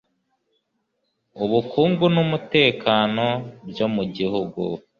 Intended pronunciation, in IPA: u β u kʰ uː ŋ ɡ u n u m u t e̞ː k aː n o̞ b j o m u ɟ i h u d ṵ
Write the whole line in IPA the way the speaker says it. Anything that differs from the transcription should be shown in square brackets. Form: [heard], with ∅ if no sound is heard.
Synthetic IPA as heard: u β u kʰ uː ŋ ɡ u n u m u t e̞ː k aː n o̞ b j o m u ɟ i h u [ɡ] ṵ